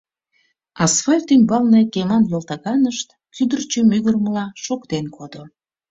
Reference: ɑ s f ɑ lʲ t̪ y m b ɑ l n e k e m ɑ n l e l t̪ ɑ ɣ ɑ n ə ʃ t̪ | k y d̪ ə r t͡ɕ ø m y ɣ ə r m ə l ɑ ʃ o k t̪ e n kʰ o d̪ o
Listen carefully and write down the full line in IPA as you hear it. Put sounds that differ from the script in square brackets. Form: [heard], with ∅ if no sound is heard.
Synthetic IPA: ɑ s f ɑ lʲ t̪ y m b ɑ l n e k e m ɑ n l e l t̪ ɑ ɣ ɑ n ə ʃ t̪ | k y d̪ ə r t͡ɕ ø m y ɣ ə r m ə l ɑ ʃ o k t̪ e n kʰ o d̪ o